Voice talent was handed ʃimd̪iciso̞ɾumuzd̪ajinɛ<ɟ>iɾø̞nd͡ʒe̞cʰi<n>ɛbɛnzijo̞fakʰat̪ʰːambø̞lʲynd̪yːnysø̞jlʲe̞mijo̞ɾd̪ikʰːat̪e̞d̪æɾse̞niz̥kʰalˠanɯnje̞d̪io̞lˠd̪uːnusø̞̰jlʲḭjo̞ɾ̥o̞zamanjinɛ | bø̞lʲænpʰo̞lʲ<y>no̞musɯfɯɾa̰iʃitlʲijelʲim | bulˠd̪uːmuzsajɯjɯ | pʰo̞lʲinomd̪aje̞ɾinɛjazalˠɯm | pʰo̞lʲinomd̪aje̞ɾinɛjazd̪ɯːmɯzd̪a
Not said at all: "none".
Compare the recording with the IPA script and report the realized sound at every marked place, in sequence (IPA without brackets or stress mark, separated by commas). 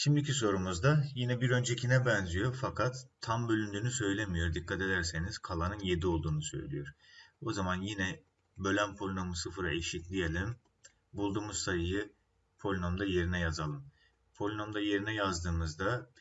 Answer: b, n, i